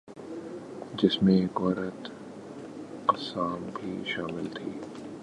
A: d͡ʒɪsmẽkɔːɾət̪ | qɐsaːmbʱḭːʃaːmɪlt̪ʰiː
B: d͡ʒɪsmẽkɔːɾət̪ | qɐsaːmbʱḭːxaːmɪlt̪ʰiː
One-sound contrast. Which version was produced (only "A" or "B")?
A